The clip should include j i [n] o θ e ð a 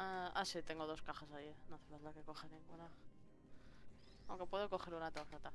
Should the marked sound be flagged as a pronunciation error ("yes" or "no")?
no